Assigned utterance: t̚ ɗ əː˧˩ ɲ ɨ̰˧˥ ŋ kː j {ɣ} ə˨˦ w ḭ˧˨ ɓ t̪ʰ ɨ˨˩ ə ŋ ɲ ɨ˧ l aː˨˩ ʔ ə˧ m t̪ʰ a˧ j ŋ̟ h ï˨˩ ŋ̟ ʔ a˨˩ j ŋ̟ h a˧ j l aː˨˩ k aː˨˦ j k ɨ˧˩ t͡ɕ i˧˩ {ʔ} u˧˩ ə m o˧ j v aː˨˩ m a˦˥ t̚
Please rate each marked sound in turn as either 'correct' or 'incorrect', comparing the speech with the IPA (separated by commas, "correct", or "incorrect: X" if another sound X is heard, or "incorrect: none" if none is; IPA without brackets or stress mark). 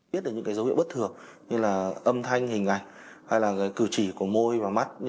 incorrect: z, incorrect: k